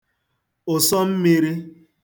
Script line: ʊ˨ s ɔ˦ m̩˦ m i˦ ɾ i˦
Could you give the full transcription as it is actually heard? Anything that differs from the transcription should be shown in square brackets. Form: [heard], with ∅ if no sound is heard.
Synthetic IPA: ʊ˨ s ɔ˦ m̩˦ m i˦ ɾ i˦